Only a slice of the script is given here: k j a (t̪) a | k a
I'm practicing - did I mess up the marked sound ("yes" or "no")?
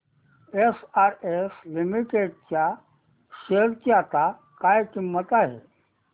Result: no